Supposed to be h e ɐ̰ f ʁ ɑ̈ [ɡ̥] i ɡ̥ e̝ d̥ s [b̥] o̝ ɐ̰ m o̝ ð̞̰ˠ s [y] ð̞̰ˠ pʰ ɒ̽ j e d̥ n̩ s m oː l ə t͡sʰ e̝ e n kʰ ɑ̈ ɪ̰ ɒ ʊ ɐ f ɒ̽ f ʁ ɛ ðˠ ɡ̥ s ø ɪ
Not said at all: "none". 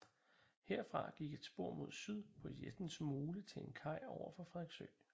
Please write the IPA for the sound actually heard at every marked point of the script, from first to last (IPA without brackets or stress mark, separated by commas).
ɡ̥, b̥, y